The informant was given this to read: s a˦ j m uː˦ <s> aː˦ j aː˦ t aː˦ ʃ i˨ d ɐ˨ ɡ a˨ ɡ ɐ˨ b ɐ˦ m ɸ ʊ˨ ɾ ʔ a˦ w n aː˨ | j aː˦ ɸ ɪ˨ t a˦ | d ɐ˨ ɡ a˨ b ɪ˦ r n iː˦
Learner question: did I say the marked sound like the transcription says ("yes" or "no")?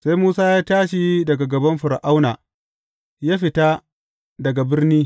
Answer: yes